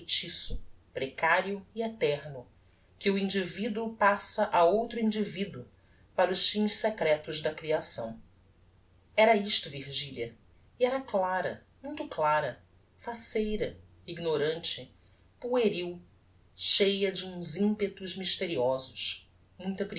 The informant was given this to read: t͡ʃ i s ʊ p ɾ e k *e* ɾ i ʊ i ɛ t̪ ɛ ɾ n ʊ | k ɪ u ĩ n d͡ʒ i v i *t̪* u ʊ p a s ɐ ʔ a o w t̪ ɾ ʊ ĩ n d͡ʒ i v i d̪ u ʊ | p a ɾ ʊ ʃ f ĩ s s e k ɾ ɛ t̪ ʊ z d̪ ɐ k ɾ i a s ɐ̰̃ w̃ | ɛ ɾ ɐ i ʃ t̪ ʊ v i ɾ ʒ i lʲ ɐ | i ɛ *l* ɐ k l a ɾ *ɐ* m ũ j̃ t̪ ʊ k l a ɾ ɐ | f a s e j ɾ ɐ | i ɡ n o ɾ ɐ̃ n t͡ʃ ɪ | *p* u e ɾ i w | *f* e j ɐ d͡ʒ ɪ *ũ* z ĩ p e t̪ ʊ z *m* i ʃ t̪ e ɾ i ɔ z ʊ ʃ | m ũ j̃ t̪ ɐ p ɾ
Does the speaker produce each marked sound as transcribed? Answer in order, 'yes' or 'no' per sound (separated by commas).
no, no, no, yes, yes, no, yes, yes